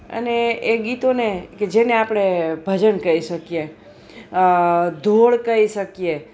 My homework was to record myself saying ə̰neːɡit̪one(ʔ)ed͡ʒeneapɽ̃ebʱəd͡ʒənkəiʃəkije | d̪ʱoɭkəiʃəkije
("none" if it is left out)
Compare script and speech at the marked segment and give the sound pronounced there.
k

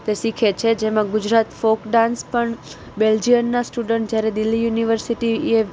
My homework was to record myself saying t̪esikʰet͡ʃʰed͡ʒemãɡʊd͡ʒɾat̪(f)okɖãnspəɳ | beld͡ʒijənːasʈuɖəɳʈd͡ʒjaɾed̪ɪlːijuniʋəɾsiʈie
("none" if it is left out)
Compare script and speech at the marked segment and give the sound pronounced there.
f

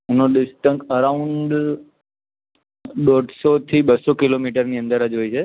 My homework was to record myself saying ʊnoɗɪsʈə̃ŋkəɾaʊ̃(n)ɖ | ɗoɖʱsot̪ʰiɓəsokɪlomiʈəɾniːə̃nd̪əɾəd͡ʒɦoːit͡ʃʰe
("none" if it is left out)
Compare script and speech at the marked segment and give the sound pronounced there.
ɳ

